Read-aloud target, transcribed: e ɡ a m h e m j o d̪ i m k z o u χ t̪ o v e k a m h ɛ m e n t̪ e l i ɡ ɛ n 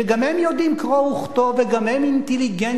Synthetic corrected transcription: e ɡ a m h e m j o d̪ i m k ʁ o u χ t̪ o v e ɡ a m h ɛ m i n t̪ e l i ɡ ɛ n